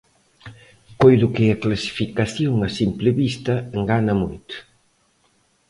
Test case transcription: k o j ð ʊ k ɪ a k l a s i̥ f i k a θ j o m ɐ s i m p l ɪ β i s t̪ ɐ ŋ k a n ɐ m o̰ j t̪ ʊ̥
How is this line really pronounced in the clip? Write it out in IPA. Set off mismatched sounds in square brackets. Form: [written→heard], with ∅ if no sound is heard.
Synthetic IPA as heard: k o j ð ʊ k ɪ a k l a s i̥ f i k a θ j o [m→ŋ] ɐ s i m p l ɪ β i s t̪ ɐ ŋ [k→ɡ] a n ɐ m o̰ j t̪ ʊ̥